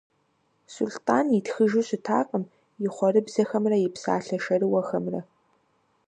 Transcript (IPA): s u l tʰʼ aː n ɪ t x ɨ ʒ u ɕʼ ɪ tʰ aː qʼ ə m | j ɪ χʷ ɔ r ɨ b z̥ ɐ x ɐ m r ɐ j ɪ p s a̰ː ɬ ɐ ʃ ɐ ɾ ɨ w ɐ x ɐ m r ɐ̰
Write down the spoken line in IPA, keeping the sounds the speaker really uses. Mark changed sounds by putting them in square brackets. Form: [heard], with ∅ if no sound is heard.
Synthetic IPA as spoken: s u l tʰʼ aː n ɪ t x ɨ ʒ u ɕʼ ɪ tʰ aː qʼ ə m | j ɪ χʷ ɔ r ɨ b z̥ ɐ x ɐ m r ɐ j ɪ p s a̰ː ɬ ɐ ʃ ɐ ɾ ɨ w ɐ x ɐ m r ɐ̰